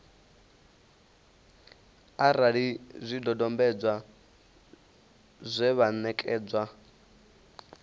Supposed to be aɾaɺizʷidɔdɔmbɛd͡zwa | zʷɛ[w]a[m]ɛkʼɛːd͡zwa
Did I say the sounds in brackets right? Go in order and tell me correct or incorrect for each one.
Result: incorrect: β, incorrect: n

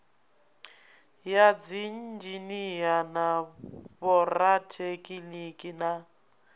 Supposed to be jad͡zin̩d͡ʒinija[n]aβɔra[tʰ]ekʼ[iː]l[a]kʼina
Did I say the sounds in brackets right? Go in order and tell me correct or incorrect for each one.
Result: correct, correct, incorrect: i, incorrect: i

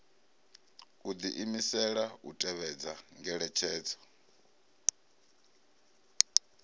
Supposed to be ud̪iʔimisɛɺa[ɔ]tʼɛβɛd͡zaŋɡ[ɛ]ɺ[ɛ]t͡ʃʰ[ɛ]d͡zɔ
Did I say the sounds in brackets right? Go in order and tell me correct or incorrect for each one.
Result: incorrect: u, correct, correct, incorrect: ɛː

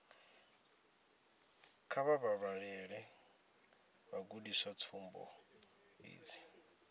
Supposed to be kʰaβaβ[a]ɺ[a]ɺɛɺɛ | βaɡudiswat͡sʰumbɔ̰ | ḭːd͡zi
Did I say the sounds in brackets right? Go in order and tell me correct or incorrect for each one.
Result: correct, correct

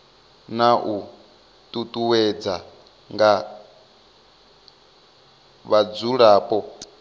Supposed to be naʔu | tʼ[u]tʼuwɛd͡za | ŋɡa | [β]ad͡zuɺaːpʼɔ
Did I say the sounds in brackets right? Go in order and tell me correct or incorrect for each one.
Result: correct, correct

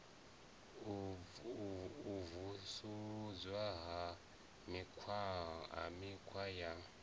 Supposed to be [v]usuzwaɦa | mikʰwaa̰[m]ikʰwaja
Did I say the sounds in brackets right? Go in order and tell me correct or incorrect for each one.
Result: correct, correct

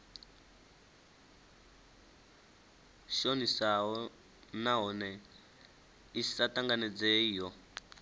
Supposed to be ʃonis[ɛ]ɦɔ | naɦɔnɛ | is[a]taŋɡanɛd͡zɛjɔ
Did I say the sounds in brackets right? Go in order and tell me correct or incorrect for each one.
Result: incorrect: a, correct

